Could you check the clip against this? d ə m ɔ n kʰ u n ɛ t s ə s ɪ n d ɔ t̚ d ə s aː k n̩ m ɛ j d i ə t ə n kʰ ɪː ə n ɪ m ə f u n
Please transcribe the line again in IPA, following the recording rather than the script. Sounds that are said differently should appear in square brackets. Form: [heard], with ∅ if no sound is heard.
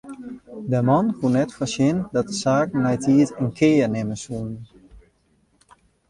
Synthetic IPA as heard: d ə m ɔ n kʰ u n ɛ t [f] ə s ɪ n d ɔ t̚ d ə s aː k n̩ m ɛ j [t] i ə t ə n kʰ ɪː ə n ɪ m ə [s] u n